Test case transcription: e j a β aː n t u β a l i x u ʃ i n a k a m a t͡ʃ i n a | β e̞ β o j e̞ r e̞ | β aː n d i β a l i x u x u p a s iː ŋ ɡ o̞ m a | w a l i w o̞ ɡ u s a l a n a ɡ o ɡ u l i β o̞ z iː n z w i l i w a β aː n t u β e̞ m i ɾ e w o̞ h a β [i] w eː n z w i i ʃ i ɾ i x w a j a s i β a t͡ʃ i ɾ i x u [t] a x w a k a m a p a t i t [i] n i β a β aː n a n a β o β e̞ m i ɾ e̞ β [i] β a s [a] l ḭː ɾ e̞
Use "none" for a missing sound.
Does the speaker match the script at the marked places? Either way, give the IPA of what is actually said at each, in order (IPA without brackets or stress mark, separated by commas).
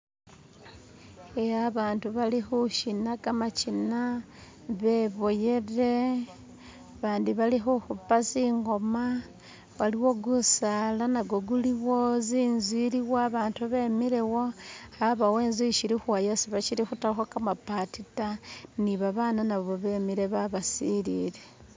a, t, a, a, i